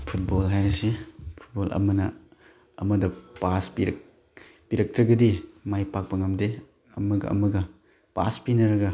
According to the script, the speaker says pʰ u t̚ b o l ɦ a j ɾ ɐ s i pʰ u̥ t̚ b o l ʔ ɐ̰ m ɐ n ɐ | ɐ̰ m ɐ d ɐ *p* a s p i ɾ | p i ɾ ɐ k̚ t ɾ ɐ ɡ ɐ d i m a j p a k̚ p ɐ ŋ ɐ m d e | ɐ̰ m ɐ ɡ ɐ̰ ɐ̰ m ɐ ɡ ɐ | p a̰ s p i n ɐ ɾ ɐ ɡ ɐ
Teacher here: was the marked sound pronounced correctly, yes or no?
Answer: yes